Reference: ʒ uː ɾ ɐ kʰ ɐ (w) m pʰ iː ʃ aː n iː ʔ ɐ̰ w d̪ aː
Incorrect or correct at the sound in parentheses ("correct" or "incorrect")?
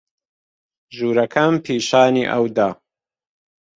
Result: incorrect